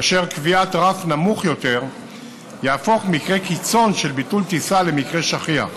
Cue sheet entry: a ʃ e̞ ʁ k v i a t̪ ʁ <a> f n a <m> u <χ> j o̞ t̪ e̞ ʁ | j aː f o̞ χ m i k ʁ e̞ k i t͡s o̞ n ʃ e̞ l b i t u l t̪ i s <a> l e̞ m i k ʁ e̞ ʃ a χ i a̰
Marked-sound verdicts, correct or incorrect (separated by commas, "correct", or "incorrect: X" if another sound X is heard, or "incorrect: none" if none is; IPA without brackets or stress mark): correct, correct, correct, correct